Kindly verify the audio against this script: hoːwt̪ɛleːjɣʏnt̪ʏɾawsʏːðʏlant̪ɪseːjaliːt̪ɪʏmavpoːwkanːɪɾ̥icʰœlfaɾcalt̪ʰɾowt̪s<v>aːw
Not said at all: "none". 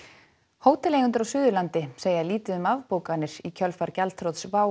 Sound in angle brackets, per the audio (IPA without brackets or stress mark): v